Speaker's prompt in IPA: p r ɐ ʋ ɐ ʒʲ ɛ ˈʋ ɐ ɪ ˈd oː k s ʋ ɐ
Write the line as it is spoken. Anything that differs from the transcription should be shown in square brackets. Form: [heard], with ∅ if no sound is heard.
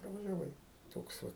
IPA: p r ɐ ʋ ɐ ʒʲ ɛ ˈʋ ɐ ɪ [ˈt] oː k s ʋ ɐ

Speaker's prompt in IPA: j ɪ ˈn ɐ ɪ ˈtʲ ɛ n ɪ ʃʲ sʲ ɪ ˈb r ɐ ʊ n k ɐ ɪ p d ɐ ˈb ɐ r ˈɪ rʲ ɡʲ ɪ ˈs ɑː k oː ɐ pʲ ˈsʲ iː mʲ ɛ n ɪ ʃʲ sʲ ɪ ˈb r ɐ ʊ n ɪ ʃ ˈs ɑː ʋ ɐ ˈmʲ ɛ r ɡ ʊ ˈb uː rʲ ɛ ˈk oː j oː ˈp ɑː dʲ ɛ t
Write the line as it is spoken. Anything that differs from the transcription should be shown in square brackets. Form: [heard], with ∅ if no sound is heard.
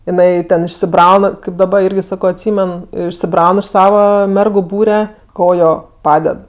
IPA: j ɪ ˈn ɐ ɪ ˈtʲ ɛ n ɪ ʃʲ sʲ ɪ ˈb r ɐ ʊ n k ɐ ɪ p d ɐ ˈb ɐ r ˈɪ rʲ ɡʲ ɪ ˈs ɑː k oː ɐ [tʲ] ˈsʲ iː mʲ ɛ n ɪ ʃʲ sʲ ɪ ˈb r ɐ ʊ n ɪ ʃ ˈs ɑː ʋ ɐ ˈmʲ ɛ r ɡ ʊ ˈb uː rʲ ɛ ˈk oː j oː ˈp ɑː dʲ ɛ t

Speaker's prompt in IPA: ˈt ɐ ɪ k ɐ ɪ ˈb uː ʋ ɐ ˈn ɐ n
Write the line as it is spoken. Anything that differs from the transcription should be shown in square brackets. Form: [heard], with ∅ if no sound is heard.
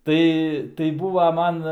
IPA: ˈt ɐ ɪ [t] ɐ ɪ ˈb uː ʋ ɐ [ˈm] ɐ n

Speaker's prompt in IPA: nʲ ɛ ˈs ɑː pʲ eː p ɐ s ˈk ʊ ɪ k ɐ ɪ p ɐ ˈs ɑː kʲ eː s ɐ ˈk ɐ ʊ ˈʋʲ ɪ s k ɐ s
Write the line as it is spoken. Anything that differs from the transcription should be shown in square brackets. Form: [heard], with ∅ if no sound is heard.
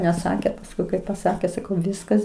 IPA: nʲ ɛ ˈs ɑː [kʲ] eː p ɐ s ˈk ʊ ɪ k ɐ ɪ p ɐ ˈs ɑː kʲ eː s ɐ ˈk ɐ ʊ ˈʋʲ ɪ s k ɐ s

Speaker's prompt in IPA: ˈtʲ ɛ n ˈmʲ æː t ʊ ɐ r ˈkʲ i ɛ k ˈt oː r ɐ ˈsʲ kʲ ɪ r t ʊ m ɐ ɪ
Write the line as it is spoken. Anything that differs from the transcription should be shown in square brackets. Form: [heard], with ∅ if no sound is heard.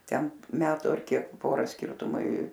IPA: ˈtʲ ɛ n ˈmʲ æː t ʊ ɐ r ˈkʲ i ɛ k [ˈp] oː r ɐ ˈsʲ kʲ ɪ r t ʊ m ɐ ɪ

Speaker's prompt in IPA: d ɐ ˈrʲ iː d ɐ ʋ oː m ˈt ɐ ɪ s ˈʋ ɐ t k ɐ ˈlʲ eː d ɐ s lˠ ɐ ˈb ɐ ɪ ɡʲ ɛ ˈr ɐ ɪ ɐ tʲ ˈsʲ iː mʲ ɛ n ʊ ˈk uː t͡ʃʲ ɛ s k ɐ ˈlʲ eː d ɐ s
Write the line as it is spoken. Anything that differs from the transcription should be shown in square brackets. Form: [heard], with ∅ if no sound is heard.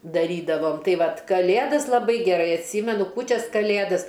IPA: d ɐ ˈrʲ iː d ɐ ʋ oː m ˈt ɐ ɪ [∅] ˈʋ ɐ t k ɐ ˈlʲ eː d ɐ s lˠ ɐ ˈb ɐ ɪ ɡʲ ɛ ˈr ɐ ɪ ɐ tʲ ˈsʲ iː mʲ ɛ n ʊ ˈk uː t͡ʃʲ ɛ s k ɐ ˈlʲ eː d ɐ s

